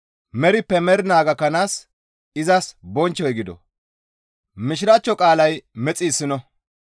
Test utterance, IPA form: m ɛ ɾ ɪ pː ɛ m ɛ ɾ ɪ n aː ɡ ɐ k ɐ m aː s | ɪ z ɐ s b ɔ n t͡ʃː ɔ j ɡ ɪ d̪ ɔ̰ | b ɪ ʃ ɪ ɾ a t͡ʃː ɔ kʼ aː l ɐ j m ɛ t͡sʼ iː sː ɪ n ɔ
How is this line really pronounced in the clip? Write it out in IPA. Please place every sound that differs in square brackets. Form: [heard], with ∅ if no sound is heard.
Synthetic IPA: m ɛ ɾ ɪ pː ɛ m ɛ ɾ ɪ n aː ɡ ɐ k ɐ [n] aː s | ɪ z ɐ s b ɔ n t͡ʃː ɔ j ɡ ɪ d̪ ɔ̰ | [m] ɪ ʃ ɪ ɾ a t͡ʃː ɔ kʼ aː l ɐ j m ɛ t͡sʼ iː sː ɪ n ɔ

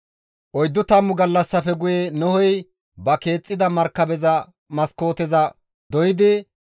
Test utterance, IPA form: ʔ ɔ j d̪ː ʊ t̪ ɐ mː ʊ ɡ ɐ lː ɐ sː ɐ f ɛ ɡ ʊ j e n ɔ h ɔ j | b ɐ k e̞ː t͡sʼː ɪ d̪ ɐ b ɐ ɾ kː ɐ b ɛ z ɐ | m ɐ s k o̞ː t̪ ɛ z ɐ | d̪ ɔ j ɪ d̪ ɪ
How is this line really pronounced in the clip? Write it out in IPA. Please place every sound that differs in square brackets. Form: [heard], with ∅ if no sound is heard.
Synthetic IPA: ʔ ɔ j d̪ː ʊ t̪ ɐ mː ʊ ɡ ɐ lː ɐ sː ɐ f ɛ ɡ ʊ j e n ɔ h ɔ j | b ɐ k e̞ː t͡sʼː ɪ d̪ ɐ [m] ɐ ɾ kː ɐ b ɛ z ɐ | m ɐ s k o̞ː t̪ ɛ z ɐ | d̪ ɔ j ɪ d̪ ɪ

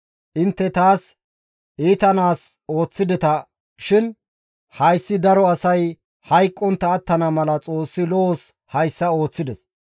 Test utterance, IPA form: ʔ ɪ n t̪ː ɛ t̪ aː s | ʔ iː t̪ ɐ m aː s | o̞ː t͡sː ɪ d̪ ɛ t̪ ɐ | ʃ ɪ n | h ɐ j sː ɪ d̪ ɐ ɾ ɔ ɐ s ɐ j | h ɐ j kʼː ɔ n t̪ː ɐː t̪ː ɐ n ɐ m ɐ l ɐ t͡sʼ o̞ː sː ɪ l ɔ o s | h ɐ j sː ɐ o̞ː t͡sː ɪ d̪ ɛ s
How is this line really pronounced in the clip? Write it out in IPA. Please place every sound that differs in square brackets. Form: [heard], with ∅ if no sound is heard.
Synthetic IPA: ʔ ɪ n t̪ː ɛ t̪ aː s | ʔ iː t̪ ɐ [n] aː s | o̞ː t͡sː ɪ d̪ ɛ t̪ ɐ | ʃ ɪ n | h ɐ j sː ɪ d̪ ɐ ɾ ɔ ɐ s ɐ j | h ɐ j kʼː ɔ n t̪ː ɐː t̪ː ɐ n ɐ m ɐ l ɐ t͡sʼ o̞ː sː ɪ l ɔ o s | h ɐ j sː ɐ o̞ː t͡sː ɪ d̪ ɛ s

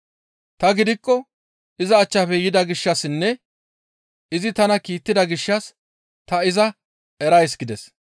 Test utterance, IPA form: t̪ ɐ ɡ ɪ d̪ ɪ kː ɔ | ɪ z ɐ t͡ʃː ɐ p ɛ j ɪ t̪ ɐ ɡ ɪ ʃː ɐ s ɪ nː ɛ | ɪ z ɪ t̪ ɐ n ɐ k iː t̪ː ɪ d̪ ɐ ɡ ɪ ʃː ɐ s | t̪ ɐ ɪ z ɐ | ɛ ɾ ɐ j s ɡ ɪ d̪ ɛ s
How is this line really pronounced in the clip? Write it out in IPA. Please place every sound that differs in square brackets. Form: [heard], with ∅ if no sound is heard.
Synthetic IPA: t̪ ɐ ɡ ɪ d̪ ɪ kː ɔ | ɪ z [ɐː] t͡ʃː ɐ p ɛ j ɪ [d̪] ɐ ɡ ɪ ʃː ɐ s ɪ nː ɛ | ɪ z ɪ t̪ ɐ n ɐ k iː t̪ː ɪ d̪ ɐ ɡ ɪ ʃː ɐ s | t̪ ɐ ɪ z ɐ | ɛ ɾ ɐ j s ɡ ɪ d̪ ɛ s

